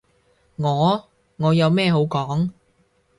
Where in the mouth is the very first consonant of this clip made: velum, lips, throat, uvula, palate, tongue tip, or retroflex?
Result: velum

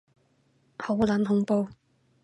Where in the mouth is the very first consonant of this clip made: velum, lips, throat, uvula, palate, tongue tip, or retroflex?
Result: throat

